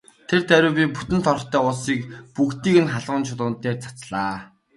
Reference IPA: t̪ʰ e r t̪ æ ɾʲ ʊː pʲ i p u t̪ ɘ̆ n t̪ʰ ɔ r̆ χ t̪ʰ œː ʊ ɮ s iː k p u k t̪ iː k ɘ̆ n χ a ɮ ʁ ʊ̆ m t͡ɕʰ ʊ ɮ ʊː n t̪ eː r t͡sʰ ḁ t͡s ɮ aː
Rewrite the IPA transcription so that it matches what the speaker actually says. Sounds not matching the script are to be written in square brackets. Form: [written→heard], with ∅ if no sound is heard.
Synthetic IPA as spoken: t̪ʰ e r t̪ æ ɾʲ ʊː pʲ i p u t̪ ɘ̆ n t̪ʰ ɔ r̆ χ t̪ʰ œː ʊ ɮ s iː k p u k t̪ iː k ɘ̆ n χ a ɮ ʁ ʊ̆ [m→n] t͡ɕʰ ʊ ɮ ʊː n t̪ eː r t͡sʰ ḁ t͡s ɮ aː